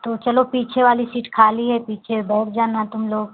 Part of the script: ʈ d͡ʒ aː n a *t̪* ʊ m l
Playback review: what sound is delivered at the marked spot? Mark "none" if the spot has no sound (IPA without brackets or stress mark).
t̪